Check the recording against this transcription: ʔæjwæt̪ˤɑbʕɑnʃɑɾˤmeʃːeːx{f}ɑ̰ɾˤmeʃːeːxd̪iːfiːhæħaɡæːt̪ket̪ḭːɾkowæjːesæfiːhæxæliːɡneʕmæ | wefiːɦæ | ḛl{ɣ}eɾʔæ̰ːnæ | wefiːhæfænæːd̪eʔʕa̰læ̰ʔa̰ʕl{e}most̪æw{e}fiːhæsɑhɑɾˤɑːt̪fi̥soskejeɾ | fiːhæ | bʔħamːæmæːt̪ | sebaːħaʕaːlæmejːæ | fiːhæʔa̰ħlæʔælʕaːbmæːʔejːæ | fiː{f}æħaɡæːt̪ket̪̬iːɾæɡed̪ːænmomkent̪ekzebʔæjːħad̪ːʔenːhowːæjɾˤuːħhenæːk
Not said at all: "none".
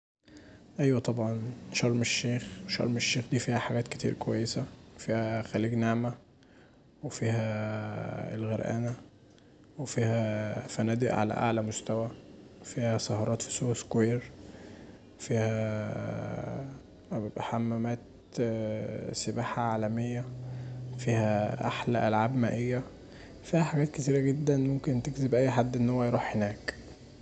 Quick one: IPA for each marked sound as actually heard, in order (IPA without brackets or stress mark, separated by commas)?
ʃ, ɣ, æ, æ, h